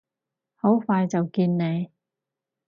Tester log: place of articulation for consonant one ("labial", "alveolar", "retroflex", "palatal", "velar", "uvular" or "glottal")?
glottal